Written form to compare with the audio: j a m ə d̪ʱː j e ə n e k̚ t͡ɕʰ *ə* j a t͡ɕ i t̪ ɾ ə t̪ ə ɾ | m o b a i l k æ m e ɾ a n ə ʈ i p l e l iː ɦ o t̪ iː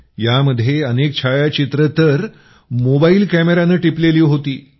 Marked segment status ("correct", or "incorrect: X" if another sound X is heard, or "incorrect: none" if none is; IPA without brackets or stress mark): incorrect: a